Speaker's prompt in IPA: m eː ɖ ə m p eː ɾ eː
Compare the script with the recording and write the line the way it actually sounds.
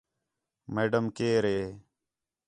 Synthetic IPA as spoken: m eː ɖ ə m k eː ɾ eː